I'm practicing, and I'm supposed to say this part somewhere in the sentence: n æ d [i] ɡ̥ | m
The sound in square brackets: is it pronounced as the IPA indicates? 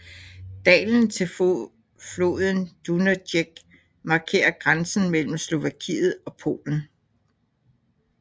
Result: no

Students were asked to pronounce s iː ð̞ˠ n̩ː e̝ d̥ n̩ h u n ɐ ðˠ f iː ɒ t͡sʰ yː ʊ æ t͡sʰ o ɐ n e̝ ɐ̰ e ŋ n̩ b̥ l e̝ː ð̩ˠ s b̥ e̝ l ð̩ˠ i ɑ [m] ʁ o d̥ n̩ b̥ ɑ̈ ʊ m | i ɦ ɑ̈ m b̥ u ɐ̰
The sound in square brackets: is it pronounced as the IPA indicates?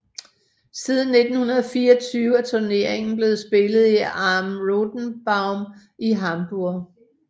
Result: yes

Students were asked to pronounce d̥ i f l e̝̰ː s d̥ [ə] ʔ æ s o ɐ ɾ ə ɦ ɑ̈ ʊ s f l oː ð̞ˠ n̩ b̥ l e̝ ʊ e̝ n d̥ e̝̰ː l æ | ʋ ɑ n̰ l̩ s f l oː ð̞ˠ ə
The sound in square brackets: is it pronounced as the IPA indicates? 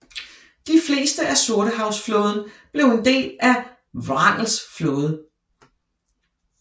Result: yes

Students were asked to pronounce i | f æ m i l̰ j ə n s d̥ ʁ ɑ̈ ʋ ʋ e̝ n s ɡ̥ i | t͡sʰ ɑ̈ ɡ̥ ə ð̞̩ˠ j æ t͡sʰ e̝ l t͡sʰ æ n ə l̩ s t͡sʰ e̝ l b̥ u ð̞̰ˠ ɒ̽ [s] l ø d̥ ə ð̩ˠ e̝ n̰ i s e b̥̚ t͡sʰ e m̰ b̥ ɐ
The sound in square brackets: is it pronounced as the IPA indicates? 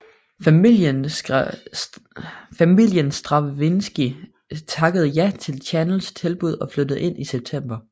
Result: no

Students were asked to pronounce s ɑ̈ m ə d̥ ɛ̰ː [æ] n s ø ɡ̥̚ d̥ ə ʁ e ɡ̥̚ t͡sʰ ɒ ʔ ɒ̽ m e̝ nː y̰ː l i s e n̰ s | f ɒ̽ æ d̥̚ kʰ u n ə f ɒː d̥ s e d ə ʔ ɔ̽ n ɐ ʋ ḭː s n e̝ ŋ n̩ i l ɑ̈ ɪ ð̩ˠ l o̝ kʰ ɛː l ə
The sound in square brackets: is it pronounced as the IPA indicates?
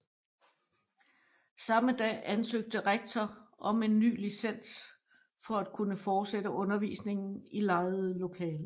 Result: yes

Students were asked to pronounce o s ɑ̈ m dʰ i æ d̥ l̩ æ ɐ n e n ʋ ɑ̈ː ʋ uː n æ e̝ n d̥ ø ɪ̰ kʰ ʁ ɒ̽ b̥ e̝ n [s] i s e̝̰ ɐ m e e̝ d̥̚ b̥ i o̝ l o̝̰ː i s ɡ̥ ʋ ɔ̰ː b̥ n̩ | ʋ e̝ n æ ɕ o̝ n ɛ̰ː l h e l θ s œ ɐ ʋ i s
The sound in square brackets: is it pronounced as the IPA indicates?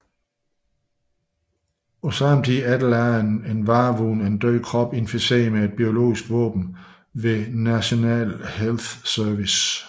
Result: no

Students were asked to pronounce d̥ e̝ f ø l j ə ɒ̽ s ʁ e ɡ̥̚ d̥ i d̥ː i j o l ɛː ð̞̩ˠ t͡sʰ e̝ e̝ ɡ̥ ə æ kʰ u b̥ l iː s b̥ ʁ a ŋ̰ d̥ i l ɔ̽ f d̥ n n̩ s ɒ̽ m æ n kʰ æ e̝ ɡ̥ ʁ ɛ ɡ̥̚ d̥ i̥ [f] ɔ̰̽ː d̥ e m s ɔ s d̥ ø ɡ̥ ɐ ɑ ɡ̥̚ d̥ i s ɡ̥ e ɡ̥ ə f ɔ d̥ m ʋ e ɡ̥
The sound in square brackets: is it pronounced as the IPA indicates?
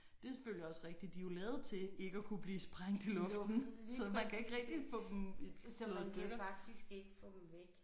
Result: yes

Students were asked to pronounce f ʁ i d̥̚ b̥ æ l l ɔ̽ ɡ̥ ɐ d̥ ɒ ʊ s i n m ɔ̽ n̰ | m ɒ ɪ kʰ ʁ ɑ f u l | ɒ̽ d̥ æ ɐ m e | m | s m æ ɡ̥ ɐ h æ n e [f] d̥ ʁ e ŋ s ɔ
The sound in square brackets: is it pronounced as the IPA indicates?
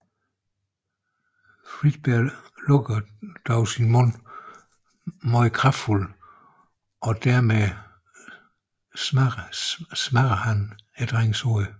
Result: no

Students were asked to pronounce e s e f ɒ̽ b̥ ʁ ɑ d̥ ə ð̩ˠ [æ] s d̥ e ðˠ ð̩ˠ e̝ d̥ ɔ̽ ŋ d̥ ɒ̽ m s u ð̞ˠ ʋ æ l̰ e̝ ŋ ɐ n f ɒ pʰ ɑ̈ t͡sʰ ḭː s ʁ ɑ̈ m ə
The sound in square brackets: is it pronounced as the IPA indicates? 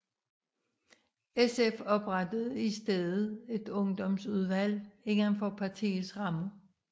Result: no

